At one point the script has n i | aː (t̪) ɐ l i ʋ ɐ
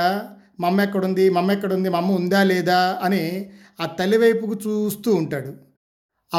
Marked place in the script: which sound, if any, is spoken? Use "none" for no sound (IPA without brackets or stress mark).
t̪